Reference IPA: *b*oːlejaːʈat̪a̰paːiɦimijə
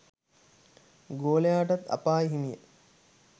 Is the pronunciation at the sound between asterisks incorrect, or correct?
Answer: incorrect: ɡ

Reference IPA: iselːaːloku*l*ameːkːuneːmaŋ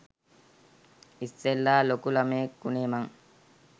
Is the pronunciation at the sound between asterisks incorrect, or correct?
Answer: correct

